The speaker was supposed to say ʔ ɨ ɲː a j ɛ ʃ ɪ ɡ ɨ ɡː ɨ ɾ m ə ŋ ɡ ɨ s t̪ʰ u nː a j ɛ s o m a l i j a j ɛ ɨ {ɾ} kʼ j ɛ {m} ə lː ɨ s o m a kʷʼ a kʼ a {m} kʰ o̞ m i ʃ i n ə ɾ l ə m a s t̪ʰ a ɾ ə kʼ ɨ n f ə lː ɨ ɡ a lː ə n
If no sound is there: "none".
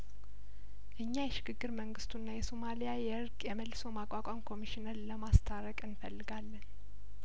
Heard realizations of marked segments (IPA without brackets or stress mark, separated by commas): ɾ, m, m